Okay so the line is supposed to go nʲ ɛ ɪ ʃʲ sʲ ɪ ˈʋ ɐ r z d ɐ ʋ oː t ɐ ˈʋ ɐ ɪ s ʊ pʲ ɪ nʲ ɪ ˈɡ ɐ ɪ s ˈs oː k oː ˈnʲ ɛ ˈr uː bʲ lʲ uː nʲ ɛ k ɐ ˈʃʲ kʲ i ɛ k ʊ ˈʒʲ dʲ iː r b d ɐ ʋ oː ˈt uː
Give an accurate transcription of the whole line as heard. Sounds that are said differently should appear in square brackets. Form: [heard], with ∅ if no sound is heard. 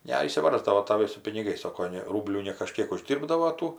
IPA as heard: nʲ ɛ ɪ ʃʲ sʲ ɪ ˈʋ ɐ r z d ɐ ʋ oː t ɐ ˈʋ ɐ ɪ s ʊ pʲ ɪ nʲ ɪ ˈɡ ɐ ɪ s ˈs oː k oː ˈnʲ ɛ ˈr uː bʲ lʲ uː nʲ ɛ k ɐ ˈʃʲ kʲ i ɛ k ʊ ˈʒʲ dʲ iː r b d ɐ ʋ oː ˈt uː